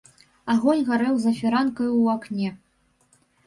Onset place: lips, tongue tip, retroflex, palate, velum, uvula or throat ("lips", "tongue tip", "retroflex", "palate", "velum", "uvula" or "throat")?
velum